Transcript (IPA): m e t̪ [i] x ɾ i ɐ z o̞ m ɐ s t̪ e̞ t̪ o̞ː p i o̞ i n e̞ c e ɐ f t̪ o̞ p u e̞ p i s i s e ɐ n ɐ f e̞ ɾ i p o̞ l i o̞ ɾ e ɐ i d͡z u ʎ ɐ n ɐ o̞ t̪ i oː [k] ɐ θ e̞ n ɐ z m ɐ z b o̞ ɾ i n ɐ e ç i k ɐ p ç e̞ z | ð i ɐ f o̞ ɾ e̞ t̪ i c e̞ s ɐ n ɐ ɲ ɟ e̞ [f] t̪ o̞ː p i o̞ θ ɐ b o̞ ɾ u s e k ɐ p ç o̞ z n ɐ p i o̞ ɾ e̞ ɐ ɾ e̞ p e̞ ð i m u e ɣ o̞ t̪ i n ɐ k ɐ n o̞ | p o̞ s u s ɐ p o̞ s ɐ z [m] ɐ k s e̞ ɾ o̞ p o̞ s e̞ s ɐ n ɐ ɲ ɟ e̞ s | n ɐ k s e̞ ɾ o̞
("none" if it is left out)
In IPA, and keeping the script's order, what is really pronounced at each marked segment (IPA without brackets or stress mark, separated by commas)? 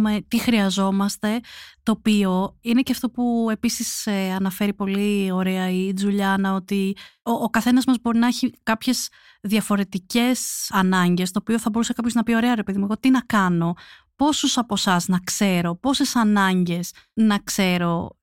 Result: i, k, s, n